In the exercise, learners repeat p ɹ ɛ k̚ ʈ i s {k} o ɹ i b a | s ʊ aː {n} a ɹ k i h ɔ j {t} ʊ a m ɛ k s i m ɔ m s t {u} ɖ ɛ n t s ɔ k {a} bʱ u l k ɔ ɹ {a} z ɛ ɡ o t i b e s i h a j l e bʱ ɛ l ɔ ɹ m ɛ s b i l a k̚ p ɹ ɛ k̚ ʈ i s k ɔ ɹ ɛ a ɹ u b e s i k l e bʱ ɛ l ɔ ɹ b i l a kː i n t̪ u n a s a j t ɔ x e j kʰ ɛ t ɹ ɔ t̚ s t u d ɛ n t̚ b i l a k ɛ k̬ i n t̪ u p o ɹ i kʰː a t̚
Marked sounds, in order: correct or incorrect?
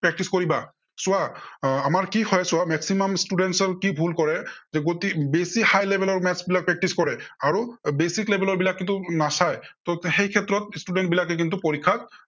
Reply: correct, incorrect: m, incorrect: s, correct, incorrect: i, incorrect: ɛ

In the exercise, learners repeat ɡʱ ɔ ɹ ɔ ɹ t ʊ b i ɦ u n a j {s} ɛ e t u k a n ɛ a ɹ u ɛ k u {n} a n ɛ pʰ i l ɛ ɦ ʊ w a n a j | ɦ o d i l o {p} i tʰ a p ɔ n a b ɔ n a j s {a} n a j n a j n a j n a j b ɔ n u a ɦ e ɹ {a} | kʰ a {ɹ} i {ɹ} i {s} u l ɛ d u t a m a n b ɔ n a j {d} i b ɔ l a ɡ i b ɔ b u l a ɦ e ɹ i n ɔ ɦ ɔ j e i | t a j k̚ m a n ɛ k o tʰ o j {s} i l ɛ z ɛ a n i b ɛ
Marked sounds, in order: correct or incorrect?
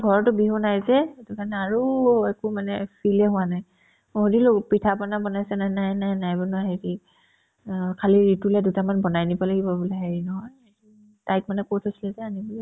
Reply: incorrect: z, incorrect: m, correct, incorrect: ɛ, incorrect: i, incorrect: l, correct, incorrect: t, incorrect: n, correct

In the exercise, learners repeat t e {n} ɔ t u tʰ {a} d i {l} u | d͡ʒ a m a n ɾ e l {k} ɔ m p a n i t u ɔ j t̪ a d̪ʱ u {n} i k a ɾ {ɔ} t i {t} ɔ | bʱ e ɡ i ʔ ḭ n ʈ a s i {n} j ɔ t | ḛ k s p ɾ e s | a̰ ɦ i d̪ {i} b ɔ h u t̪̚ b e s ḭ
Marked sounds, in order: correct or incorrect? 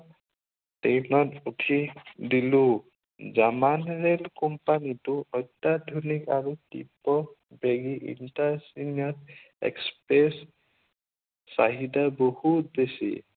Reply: correct, incorrect: i, correct, correct, correct, incorrect: u, incorrect: p, correct, incorrect: a

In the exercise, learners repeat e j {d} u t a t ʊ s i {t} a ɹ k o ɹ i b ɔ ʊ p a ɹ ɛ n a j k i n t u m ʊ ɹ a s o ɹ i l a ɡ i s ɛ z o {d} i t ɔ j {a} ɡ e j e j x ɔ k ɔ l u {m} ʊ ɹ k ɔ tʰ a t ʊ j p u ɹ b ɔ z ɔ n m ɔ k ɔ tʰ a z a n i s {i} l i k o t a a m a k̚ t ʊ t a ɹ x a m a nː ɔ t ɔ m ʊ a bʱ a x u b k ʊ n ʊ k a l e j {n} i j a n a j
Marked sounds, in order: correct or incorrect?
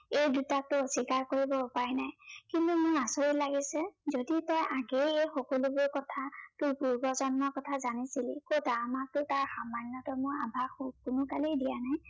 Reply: correct, incorrect: k, correct, correct, incorrect: b, correct, incorrect: d

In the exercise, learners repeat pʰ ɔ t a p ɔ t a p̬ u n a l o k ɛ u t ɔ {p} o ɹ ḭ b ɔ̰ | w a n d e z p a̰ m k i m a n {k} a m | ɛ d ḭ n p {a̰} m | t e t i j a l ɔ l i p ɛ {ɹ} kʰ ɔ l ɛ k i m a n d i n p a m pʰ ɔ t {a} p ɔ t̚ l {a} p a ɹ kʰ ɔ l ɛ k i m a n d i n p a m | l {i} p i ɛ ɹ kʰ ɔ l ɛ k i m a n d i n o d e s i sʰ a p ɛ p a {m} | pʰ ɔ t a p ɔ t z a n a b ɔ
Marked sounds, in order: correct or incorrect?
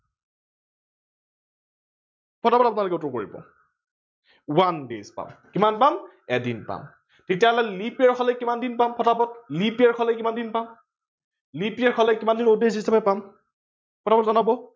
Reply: incorrect: k, incorrect: p, correct, correct, correct, incorrect: i, correct, correct

